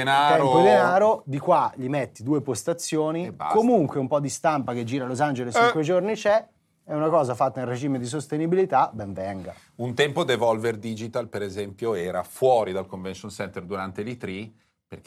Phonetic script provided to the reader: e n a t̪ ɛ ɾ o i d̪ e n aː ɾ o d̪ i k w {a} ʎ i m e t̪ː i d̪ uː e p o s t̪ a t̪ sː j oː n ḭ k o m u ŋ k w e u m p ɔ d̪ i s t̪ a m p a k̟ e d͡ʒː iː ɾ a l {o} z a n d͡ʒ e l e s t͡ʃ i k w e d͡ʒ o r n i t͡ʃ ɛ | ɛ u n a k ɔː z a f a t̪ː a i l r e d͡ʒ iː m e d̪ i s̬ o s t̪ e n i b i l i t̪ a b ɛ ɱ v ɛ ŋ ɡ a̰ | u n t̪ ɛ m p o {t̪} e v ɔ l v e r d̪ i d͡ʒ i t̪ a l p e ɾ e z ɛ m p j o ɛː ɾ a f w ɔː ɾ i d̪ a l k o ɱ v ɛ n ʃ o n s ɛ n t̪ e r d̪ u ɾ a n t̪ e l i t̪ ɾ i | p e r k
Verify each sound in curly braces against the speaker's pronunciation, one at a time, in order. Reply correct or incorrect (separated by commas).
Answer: correct, correct, incorrect